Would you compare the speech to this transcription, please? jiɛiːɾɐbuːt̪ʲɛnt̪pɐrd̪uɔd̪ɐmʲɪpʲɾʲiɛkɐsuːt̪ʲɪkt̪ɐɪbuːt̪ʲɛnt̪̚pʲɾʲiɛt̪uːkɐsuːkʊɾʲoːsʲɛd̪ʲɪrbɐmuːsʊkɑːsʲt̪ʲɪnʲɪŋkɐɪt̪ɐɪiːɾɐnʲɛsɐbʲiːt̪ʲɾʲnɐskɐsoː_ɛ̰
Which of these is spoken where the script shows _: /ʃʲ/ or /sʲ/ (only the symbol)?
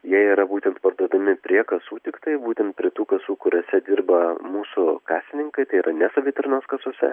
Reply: sʲ